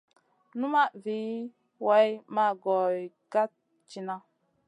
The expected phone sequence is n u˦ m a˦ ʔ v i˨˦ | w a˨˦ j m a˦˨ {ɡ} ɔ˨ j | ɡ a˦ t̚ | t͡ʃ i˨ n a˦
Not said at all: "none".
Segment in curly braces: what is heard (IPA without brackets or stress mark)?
ɡ